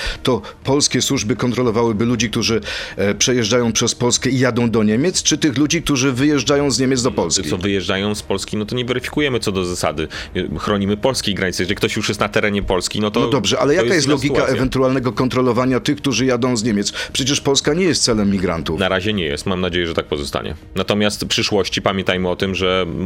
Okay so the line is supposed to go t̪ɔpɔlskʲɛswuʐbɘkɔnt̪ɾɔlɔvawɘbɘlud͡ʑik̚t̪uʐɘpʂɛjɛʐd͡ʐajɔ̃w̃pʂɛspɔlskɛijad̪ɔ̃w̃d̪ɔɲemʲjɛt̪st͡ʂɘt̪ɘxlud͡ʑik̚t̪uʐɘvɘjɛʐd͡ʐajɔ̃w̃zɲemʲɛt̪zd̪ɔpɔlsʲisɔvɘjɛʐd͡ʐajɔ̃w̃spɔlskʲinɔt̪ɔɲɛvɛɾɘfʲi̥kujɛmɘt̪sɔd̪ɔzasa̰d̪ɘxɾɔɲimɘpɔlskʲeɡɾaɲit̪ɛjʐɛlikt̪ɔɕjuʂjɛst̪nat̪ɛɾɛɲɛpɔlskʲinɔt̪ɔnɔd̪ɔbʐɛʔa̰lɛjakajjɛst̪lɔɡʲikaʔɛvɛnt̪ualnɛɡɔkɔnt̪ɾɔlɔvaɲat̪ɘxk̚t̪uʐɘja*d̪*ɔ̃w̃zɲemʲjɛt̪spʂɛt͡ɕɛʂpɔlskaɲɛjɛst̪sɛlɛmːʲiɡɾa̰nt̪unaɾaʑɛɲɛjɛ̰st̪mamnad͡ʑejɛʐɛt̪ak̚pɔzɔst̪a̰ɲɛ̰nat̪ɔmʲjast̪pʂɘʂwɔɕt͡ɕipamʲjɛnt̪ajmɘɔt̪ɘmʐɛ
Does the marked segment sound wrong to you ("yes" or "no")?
no